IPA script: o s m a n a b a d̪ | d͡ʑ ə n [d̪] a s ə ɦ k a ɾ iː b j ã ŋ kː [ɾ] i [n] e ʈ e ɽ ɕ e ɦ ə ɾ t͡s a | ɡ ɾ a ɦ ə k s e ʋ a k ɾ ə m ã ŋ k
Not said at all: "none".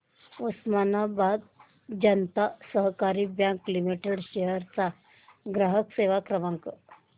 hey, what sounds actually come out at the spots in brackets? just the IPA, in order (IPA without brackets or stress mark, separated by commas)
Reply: t̪, l, m